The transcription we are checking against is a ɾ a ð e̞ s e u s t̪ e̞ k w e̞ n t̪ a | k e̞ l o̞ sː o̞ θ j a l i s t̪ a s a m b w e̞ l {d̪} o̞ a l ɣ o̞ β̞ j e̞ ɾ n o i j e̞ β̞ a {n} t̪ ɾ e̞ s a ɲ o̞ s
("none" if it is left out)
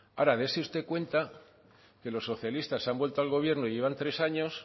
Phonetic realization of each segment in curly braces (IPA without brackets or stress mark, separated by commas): t̪, n